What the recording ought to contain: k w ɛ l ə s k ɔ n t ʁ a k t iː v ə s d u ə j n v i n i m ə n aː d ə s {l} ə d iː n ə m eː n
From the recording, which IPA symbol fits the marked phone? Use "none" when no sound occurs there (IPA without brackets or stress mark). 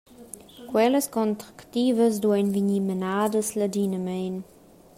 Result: l